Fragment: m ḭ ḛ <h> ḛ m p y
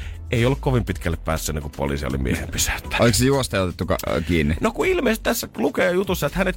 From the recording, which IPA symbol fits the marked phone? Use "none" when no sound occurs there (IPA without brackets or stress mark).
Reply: h